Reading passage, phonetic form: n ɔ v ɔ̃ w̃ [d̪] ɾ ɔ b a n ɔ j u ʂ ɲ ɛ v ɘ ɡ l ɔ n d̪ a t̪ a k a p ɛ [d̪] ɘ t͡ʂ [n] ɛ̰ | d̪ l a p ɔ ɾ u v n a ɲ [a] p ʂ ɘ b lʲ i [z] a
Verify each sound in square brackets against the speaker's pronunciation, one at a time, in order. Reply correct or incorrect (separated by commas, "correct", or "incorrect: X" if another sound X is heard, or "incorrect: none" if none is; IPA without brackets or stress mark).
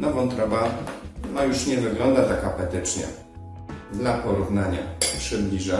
incorrect: t̪, incorrect: t̪, incorrect: ɲ, correct, incorrect: ʐ